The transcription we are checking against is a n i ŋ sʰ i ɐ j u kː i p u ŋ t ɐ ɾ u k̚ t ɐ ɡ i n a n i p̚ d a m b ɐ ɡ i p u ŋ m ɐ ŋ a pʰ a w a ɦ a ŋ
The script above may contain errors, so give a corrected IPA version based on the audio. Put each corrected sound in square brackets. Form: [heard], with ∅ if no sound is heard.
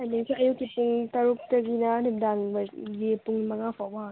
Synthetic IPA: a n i ŋ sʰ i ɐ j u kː i p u ŋ t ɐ ɾ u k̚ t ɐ ɡ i n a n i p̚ d a [ŋ] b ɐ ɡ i p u ŋ m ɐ ŋ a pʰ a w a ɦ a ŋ